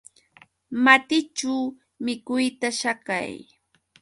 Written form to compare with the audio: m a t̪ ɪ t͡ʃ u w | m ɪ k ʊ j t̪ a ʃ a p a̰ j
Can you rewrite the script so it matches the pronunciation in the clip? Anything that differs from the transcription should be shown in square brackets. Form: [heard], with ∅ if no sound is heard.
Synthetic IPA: m a t̪ ɪ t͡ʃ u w | m ɪ k ʊ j t̪ a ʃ a [k] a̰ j